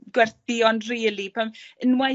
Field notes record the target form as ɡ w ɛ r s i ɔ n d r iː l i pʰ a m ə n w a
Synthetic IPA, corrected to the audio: ɡ w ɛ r θ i ɔ n d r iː l i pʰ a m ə n w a